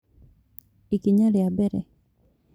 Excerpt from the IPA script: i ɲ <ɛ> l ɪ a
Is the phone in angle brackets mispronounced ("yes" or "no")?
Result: yes